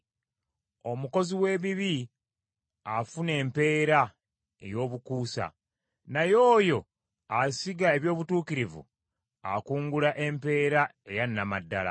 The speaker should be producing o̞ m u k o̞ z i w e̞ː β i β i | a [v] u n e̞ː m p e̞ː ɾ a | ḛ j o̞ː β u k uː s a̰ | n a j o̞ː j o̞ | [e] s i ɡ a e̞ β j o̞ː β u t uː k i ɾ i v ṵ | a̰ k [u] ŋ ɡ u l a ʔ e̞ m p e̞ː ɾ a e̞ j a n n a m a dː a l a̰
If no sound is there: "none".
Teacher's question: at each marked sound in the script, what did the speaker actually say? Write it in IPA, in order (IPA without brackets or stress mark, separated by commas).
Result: f, a, uː